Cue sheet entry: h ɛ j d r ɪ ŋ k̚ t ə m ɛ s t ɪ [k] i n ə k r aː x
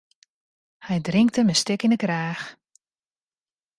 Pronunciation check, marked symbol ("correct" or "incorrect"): correct